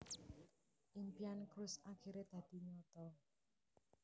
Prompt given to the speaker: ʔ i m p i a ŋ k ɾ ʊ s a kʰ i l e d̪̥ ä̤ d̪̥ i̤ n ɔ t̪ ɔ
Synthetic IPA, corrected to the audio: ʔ i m p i a n k ɾ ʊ s a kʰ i ɾ e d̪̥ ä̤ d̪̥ i̤ ɲ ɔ t̪ ɔ